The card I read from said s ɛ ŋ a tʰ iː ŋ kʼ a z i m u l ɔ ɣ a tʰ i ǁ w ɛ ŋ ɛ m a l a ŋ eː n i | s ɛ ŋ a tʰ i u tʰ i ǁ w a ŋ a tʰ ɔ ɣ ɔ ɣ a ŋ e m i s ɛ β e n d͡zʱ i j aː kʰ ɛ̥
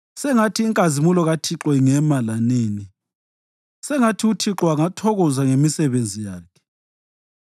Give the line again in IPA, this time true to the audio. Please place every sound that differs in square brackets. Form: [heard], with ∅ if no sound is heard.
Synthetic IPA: s ɛ ŋ a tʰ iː ŋ kʼ a z i m u l ɔ ɣ a tʰ i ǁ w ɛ ŋ ɛ m a l a [n] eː n i | s ɛ ŋ a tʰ i u tʰ i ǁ w a ŋ a tʰ ɔ ɣ ɔ [z] a ŋ e m i s ɛ β e n d͡zʱ i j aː kʰ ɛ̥